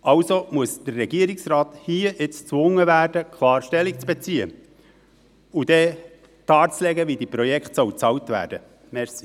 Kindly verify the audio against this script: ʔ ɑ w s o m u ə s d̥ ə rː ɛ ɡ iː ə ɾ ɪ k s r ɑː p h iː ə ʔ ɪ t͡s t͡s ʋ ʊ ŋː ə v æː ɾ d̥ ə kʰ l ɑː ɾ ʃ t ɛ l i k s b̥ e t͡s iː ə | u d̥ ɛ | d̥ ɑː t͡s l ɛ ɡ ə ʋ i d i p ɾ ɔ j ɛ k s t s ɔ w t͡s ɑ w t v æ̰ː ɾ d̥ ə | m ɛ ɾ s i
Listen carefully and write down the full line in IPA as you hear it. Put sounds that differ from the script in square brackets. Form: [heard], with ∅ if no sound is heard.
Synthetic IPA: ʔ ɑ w s o m u ə s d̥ ə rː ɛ ɡ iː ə ɾ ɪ k s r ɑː [t] h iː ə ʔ ɪ t͡s t͡s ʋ ʊ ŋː ə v æː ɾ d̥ ə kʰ l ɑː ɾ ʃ t ɛ l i k [t͡s] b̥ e t͡s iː ə | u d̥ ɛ | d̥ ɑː t͡s l ɛ ɡ ə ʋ i d i p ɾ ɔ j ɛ k [χ] t s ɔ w t͡s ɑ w t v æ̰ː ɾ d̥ ə | m ɛ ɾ s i